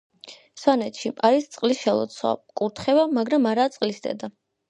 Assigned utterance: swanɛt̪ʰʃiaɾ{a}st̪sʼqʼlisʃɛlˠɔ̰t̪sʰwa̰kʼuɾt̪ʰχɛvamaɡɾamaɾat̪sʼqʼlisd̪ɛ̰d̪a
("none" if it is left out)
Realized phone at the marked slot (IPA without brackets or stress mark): i